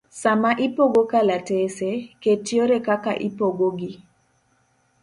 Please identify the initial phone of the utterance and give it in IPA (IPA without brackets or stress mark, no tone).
s